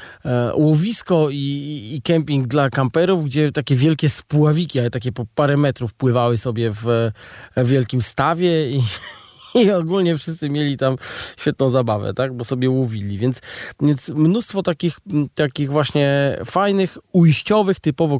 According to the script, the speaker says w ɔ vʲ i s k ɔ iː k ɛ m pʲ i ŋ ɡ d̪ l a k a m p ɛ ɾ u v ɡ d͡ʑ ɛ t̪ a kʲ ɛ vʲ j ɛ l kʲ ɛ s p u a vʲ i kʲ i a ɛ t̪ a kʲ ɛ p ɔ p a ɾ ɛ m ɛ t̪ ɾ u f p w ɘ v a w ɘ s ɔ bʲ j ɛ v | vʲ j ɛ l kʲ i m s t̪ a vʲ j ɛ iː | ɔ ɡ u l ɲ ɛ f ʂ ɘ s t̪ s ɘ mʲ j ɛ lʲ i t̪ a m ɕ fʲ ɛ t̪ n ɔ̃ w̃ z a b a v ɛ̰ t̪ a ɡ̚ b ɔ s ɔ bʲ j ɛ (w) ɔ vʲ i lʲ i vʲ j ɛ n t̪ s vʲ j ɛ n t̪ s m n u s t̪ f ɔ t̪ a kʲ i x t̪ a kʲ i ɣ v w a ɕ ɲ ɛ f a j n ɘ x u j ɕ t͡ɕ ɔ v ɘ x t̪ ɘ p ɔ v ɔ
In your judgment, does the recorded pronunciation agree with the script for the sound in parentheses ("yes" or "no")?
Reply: yes